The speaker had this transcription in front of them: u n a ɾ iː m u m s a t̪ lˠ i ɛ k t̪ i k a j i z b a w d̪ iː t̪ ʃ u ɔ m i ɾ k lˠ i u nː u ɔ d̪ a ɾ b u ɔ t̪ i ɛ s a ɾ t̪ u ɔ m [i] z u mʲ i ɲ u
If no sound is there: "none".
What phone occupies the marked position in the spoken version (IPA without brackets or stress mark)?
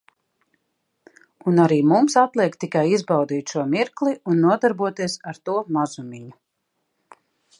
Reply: a